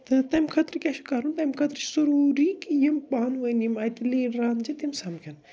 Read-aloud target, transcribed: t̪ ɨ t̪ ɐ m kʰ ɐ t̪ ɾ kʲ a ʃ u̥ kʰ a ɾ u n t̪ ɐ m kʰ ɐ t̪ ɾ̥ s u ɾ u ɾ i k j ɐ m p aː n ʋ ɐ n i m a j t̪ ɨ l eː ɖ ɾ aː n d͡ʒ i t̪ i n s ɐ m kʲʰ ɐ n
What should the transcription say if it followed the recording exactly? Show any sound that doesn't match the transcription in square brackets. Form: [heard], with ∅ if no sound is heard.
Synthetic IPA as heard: t̪ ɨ t̪ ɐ m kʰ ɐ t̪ ɾ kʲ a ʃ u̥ [k] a ɾ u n t̪ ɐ m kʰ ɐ t̪ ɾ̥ s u ɾ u ɾ i k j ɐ m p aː n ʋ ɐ n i m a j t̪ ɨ l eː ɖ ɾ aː n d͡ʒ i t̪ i [m] s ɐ m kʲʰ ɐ n

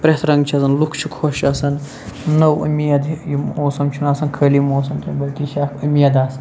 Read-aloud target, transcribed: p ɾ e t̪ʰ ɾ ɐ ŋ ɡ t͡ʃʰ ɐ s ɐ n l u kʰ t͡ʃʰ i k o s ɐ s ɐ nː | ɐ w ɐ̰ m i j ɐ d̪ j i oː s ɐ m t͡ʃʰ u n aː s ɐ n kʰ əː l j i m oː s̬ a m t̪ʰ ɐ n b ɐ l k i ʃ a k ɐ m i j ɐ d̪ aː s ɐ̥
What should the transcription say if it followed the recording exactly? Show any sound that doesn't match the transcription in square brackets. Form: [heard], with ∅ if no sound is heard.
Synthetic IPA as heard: p ɾ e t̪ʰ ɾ ɐ ŋ ɡ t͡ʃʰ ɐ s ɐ n l u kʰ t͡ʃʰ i [kʰ] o [ʃ] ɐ s ɐ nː | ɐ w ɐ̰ m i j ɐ d̪ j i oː s ɐ m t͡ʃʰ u n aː s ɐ n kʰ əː l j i m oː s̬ [ɐ] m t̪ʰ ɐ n b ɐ l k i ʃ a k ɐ m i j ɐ d̪ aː s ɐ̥

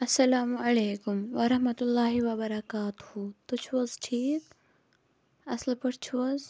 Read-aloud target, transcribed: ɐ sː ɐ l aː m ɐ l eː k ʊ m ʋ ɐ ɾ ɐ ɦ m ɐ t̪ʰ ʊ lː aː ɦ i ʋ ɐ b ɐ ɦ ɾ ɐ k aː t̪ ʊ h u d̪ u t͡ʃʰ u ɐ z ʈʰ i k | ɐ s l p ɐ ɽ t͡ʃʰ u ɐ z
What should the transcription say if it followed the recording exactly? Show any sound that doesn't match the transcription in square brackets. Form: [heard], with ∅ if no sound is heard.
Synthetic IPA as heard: ɐ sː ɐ l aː m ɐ l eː k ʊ m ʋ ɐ ɾ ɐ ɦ m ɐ [t̪] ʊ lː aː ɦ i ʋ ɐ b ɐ [∅] ɾ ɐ k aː t̪ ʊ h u [t̪] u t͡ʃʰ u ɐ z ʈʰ [iː] k | ɐ s l p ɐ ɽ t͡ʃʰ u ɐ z

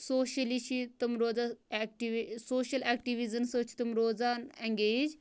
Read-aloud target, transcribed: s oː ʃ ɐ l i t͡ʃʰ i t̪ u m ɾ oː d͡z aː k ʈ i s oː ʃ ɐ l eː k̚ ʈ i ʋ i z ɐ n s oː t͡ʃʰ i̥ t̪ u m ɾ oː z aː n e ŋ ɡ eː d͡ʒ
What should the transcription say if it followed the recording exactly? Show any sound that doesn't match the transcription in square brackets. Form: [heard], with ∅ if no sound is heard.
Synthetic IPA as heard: s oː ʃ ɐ l i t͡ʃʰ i t̪ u m ɾ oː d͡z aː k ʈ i s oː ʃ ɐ l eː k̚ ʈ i ʋ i z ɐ n s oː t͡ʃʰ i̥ t̪ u m ɾ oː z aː n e ŋ ɡ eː d͡ʒ

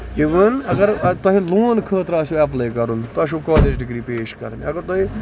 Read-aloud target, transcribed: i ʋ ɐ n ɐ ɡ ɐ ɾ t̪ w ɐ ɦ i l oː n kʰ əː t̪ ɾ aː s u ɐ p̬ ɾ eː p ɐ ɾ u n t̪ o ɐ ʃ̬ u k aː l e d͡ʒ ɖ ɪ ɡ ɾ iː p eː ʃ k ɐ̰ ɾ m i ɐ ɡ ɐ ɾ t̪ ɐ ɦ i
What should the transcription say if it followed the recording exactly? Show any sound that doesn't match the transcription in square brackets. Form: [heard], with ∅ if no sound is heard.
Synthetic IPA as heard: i ʋ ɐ n ɐ ɡ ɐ ɾ t̪ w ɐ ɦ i l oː n kʰ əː t̪ ɾ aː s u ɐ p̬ [l] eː [k] ɐ ɾ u n t̪ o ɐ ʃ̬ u k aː l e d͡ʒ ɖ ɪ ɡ ɾ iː p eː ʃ k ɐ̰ ɾ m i ɐ ɡ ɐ ɾ t̪ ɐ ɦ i

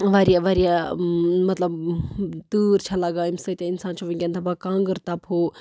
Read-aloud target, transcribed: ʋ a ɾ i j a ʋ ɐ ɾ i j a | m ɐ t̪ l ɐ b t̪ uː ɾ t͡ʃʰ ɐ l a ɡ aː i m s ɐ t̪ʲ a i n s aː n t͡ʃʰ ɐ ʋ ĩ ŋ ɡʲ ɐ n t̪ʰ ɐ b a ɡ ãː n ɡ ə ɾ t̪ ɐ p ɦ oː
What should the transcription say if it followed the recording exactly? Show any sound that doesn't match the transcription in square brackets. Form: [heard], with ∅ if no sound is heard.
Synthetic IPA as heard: ʋ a ɾ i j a ʋ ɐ ɾ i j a | m ɐ t̪ l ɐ b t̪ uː ɾ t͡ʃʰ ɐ l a ɡ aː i m s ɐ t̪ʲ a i n s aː n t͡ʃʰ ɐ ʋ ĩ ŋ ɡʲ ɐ n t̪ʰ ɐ b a [k] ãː [ŋ] ɡ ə ɾ t̪ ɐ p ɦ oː

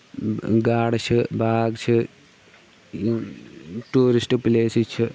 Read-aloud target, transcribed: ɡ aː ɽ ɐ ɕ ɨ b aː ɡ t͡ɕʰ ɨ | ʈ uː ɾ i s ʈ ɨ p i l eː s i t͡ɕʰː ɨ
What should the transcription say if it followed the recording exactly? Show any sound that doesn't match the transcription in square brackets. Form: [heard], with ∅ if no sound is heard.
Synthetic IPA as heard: ɡ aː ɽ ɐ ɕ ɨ b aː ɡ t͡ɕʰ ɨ | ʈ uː ɾ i s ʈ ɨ p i l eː s i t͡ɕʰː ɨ

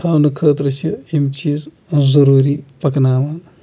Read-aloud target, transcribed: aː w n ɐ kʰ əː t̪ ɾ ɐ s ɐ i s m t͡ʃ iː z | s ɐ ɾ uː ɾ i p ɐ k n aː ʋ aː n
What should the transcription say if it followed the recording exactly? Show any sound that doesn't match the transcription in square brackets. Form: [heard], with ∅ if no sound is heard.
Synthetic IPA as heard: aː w n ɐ kʰ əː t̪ ɾ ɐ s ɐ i [∅] m t͡ʃ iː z | [z] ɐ ɾ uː ɾ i p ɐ k n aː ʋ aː n

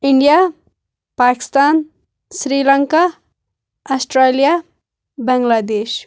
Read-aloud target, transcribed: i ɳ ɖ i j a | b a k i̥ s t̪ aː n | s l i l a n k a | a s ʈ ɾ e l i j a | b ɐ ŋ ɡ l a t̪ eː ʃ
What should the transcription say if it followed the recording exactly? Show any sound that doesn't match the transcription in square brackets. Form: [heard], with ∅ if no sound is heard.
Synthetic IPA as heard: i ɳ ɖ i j a | [p] a k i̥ s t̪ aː n | s [ɾ] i l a [ŋ] k a | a s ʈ ɾ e l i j a | b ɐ ŋ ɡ l a [d̪] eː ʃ

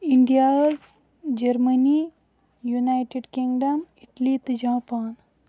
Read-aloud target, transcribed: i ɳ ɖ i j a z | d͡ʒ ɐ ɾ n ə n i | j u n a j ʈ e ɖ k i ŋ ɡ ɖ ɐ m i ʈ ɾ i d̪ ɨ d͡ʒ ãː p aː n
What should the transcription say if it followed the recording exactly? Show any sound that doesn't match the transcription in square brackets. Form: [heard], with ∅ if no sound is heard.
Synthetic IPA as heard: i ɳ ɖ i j a z | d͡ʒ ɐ ɾ [m] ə n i | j u n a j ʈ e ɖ k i ŋ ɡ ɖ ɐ m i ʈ [l] i [t̪] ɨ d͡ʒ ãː p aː n

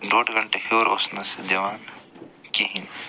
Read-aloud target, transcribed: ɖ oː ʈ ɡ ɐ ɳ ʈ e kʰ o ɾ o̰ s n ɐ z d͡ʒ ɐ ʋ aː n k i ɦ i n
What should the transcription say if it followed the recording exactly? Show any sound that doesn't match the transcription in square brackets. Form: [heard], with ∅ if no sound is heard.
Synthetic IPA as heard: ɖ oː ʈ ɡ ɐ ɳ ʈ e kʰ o ɾ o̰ s n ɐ [s] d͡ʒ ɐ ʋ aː n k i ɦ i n

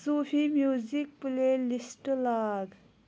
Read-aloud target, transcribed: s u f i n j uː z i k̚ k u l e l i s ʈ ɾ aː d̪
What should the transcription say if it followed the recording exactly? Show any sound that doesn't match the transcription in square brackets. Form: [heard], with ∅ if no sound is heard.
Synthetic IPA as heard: s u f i [m] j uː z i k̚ [p] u l e l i s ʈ [l] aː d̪

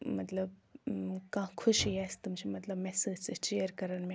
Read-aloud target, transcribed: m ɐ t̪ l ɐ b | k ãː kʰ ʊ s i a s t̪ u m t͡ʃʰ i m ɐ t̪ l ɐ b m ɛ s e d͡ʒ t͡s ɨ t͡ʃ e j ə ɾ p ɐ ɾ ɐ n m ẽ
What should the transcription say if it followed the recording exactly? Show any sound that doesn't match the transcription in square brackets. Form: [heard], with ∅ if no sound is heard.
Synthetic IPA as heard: m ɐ t̪ l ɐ b | k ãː kʰ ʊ [ʃ] i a s t̪ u m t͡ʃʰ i m ɐ t̪ l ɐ b m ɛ s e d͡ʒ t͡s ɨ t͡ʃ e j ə ɾ [k] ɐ ɾ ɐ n m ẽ

